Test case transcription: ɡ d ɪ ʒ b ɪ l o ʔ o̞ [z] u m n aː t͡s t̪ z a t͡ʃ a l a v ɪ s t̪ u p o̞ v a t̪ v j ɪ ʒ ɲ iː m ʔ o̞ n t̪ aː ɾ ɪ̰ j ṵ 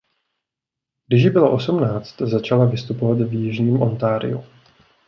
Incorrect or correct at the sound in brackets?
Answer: incorrect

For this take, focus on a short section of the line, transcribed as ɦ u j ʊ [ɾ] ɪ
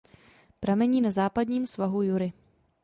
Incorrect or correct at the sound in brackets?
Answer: correct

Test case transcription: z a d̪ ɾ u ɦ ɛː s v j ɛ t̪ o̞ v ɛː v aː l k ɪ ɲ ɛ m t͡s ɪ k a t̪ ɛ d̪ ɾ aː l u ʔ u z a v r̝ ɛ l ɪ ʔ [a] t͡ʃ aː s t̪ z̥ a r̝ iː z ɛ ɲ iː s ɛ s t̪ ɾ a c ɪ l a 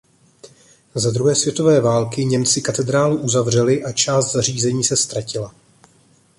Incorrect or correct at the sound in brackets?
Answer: correct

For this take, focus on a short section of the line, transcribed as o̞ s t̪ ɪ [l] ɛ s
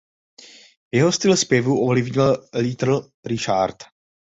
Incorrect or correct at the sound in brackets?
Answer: correct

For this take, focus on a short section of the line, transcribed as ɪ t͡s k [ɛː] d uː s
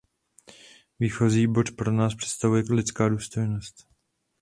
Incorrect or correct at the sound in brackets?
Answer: incorrect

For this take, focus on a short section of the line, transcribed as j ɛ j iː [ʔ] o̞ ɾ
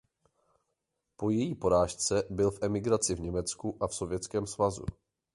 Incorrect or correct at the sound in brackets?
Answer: incorrect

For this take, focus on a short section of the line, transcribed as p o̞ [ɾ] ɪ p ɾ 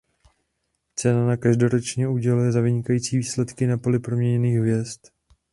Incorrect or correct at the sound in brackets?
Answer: incorrect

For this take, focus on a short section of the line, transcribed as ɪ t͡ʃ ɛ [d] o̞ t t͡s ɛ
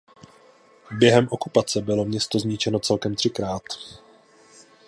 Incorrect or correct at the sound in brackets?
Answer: incorrect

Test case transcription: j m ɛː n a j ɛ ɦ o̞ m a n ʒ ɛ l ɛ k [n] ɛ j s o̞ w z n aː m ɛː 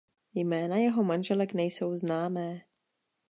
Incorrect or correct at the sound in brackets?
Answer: correct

